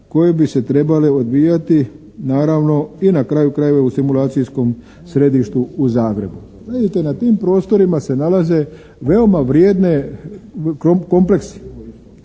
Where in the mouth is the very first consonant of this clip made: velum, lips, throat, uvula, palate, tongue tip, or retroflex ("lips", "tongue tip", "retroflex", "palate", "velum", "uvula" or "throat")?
velum